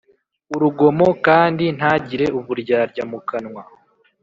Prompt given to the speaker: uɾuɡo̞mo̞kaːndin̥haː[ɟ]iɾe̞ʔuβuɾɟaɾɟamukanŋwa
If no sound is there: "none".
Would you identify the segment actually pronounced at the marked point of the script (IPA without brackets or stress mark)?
ɟ